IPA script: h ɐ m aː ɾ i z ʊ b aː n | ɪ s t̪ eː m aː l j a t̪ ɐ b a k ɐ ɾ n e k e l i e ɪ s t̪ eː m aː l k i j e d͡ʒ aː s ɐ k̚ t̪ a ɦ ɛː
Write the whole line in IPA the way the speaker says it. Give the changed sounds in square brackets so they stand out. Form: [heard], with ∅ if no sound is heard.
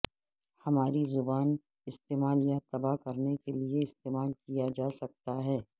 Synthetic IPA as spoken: h ɐ m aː ɾ i z ʊ b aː n | ɪ s t̪ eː m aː l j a t̪ ɐ b a k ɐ ɾ n e k e l i e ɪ s t̪ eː m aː l k i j [a] d͡ʒ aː s ɐ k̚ t̪ a ɦ ɛː